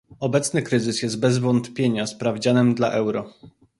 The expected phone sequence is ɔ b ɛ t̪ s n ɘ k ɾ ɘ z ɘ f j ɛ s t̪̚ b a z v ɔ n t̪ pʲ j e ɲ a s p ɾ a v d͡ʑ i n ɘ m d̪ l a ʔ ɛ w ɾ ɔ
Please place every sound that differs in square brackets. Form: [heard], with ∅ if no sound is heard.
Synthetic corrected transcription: ɔ b ɛ t̪ s n ɘ k ɾ ɘ z ɘ [s] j ɛ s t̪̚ b [ɛ] z v ɔ n t̪ pʲ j e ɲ a s p ɾ a v d͡ʑ [a] n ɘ m d̪ l a ʔ ɛ w ɾ ɔ